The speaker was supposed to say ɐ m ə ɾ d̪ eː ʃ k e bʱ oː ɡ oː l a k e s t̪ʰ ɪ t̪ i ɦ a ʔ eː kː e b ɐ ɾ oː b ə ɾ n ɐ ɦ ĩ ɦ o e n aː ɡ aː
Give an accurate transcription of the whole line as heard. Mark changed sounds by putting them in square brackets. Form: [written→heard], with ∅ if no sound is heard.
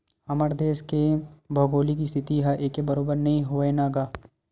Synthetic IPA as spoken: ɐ m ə ɾ d̪ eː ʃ k e bʱ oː ɡ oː l [a→i] k [e→i] s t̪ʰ ɪ t̪ i ɦ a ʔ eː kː e b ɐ ɾ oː b ə ɾ n ɐ ɦ ĩ ɦ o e n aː ɡ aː